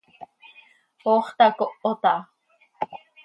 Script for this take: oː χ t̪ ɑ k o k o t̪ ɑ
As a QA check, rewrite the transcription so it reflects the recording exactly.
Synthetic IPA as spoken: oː χ t̪ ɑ k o ʔ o t̪ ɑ

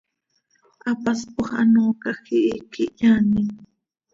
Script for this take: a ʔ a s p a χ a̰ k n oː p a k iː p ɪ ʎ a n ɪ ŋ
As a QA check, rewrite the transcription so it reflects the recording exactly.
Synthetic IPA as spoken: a p a s p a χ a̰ n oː k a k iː k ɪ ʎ a n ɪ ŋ

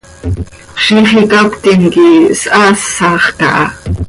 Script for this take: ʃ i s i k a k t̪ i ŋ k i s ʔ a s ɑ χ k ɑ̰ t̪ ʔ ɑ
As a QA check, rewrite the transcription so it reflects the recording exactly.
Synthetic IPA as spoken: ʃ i χ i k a k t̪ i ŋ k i s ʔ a s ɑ χ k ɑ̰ ʔ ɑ

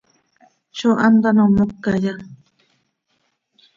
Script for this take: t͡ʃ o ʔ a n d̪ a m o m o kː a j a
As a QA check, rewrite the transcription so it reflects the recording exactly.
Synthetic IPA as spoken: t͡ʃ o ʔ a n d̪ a n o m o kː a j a

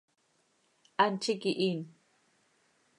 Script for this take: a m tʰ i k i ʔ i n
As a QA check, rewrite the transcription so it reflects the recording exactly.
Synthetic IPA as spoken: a n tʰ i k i ʔ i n

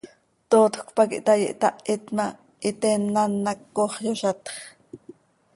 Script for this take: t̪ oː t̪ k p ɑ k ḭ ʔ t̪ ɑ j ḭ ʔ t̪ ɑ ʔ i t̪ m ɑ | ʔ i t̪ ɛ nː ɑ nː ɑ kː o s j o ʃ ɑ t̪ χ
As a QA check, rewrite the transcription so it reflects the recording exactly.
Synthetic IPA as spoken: t̪ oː t̪ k p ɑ k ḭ ʔ t̪ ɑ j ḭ ʔ t̪ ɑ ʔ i t̪ m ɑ | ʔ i t̪ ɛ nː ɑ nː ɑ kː o χ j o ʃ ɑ t̪ χ

